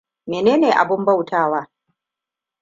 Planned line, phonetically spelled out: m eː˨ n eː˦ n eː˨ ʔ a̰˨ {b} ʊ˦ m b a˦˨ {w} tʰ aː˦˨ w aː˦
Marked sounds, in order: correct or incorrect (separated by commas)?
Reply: correct, correct